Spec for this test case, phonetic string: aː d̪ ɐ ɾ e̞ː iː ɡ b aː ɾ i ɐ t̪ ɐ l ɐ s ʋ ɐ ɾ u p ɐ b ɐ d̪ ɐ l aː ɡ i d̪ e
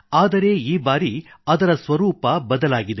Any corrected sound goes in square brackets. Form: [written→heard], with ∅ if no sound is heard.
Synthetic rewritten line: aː d̪ ɐ ɾ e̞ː iː [ɡ→∅] b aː ɾ i ɐ [t̪→d̪] ɐ [l→ɾ] ɐ s ʋ ɐ ɾ [u→uː] p ɐ b ɐ d̪ ɐ l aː ɡ i d̪ e